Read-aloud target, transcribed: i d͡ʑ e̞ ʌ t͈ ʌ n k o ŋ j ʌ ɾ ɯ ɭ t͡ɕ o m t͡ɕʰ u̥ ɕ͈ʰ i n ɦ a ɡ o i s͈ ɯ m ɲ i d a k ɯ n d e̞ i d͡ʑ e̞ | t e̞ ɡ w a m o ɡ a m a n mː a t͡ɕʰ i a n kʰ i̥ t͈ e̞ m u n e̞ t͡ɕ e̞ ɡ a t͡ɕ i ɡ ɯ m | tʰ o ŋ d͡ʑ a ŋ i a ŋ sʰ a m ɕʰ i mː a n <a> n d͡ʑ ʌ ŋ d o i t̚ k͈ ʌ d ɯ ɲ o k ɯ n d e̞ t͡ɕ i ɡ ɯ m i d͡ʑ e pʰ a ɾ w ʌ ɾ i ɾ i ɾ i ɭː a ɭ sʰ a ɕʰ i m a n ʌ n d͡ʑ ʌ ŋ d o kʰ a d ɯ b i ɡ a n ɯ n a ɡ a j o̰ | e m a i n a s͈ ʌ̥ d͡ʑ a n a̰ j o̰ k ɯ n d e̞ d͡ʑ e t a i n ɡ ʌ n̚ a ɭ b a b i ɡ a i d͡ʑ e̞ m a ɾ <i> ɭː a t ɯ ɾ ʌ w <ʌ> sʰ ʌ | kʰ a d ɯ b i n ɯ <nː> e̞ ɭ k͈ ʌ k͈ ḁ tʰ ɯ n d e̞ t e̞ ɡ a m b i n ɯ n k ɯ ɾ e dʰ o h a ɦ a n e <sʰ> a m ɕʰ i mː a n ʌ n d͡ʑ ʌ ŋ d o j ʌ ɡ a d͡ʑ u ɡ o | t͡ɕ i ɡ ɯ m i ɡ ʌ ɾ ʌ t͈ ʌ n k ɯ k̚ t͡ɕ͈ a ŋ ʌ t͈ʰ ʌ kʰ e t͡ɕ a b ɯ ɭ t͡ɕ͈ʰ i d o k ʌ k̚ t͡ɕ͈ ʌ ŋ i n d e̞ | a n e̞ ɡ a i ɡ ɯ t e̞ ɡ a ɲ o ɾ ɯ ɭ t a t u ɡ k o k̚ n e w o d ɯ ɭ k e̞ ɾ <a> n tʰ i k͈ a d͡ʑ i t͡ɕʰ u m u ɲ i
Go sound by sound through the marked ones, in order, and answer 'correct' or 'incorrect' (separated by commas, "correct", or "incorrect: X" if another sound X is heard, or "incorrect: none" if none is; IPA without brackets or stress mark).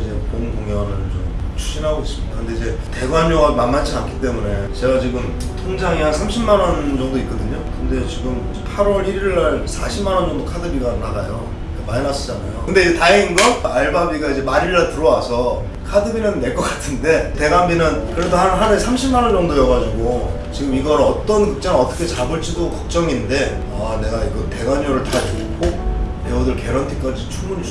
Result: incorrect: ʌ, correct, incorrect: a, correct, correct, incorrect: ʌ